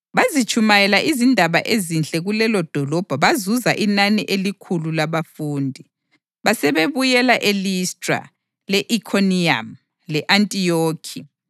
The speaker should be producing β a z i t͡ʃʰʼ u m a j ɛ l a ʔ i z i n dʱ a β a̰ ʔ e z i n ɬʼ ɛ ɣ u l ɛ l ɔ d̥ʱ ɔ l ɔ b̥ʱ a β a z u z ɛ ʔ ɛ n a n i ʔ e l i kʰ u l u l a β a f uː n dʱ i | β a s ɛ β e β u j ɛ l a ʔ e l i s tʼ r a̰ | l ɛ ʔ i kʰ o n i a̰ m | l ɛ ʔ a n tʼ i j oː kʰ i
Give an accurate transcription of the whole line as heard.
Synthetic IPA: β a z i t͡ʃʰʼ u m a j ɛ l a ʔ i z i n dʱ a β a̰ ʔ e z i n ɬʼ ɛ ɣ u l ɛ l ɔ d̥ʱ ɔ l ɔ b̥ʱ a β a z u z a ʔ i n a n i ʔ e l i kʰ u l u l a β a f uː n dʱ i | β a s ɛ β e β u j ɛ l a ʔ e l i s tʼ r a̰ | l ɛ ʔ i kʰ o n i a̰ m | l ɛ ʔ a n tʼ i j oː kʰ i